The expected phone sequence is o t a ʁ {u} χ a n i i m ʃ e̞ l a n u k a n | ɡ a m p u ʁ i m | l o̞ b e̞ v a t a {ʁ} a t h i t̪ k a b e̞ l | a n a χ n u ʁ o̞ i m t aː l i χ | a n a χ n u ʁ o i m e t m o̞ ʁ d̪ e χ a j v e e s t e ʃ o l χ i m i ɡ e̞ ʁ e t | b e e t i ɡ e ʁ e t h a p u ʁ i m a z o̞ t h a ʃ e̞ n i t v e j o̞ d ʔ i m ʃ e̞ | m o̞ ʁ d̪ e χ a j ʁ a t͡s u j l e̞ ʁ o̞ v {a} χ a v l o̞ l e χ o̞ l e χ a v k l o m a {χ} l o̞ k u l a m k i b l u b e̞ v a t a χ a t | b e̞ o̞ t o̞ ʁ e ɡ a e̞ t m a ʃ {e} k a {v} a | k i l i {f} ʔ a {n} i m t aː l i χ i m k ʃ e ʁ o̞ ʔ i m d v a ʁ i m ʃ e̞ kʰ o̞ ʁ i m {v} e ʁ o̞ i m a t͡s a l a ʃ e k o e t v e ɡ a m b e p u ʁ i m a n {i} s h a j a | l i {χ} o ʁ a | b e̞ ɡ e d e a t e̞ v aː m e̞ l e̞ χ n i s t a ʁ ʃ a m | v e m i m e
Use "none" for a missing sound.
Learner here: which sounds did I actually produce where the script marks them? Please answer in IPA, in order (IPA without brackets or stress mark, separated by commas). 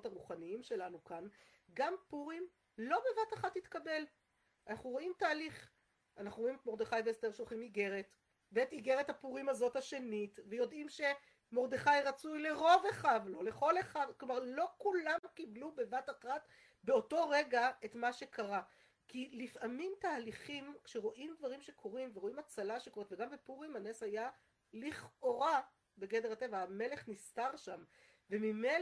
u, χ, e, ʁ, e, ʁ, f, m, v, e, χ